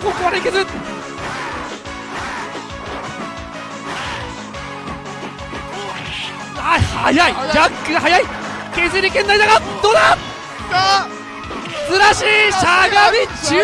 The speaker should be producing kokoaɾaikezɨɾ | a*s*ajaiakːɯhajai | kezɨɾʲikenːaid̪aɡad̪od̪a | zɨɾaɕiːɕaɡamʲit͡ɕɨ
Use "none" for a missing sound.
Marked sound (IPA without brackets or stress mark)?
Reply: h